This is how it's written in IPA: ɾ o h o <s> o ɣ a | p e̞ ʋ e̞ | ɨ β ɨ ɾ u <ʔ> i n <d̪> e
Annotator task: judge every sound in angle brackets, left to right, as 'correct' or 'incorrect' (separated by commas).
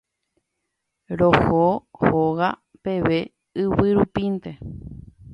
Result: incorrect, incorrect, incorrect